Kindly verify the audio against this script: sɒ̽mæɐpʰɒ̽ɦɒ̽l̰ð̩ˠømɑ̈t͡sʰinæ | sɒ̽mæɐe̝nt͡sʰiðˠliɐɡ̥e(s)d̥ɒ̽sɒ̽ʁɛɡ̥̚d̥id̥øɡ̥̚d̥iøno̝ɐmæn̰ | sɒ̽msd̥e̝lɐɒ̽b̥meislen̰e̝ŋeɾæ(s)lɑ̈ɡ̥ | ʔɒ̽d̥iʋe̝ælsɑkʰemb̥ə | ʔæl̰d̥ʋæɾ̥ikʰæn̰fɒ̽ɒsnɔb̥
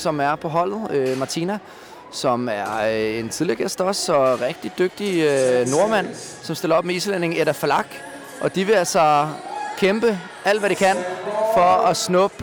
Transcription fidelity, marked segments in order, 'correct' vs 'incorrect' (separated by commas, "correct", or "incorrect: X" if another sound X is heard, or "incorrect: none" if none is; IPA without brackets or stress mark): correct, incorrect: f